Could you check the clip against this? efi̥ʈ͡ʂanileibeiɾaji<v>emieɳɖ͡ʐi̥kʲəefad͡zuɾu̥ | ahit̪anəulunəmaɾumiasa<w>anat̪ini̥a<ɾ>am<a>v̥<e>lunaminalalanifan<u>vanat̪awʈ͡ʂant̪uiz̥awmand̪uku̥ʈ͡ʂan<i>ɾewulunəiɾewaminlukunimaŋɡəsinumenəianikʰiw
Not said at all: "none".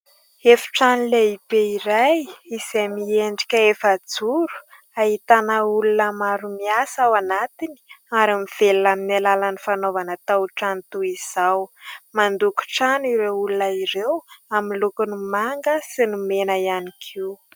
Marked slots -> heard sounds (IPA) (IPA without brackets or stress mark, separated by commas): z, w, ɾ, i, e, o, i